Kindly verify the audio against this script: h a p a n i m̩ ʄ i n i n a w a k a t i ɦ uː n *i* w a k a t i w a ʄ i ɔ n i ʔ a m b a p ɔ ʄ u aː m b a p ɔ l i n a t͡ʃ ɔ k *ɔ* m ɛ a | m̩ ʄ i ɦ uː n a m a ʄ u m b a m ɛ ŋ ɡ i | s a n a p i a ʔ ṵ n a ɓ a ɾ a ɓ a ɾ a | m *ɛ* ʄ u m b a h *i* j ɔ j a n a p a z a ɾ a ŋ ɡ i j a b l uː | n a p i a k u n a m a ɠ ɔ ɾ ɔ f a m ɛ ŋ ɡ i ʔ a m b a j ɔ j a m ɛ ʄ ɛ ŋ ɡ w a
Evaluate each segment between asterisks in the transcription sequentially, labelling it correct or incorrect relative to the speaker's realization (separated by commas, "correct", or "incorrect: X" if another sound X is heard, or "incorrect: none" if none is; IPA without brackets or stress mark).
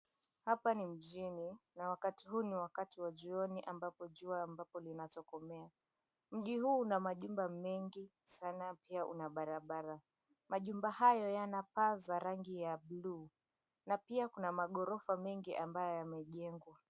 correct, correct, incorrect: a, incorrect: a